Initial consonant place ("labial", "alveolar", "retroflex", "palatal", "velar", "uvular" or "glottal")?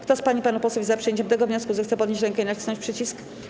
velar